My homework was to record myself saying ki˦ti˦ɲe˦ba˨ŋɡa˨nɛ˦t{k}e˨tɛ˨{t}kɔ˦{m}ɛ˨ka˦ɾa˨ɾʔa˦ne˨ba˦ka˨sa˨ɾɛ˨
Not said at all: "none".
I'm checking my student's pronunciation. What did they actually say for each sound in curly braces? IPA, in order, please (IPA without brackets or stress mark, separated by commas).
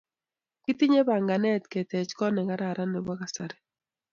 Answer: k, t͡ʃ, n